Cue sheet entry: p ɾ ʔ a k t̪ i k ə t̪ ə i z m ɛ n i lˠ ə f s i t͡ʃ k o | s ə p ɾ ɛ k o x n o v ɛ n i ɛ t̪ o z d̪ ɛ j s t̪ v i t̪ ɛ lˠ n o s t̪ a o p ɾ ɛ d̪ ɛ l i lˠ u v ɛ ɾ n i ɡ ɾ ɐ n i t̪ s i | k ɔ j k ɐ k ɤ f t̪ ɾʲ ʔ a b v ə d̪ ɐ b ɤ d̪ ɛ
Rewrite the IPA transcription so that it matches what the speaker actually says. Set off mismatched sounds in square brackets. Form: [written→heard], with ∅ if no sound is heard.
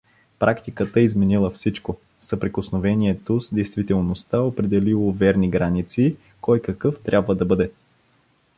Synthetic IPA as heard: p ɾ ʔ a k t̪ i k ə t̪ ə i z m ɛ n i lˠ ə f s i t͡ʃ k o | s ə p ɾ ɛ k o [x→s] n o v ɛ n i ɛ t̪ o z d̪ ɛ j s t̪ v i t̪ ɛ lˠ n o s t̪ a o p ɾ ɛ d̪ ɛ l i lˠ [u→o] v ɛ ɾ n i ɡ ɾ [ɐ→a] n i t̪ s i | k ɔ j k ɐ k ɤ f t̪ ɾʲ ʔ a b v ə d̪ ɐ b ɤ d̪ ɛ